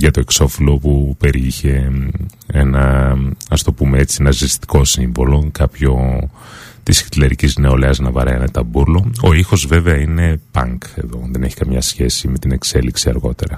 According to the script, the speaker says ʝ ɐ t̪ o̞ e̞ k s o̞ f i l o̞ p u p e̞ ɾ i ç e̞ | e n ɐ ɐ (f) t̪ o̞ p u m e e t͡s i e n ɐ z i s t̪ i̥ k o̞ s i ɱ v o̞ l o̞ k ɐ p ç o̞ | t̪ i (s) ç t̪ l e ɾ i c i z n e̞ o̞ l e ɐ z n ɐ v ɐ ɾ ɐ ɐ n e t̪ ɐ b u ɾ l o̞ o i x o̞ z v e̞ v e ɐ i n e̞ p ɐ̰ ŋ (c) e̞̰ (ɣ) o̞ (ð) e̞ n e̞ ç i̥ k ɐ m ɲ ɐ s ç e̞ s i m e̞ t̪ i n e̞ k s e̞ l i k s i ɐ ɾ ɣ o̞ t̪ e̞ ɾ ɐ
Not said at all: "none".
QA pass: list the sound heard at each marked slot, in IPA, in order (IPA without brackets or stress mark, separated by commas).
s, s, k, ð, ð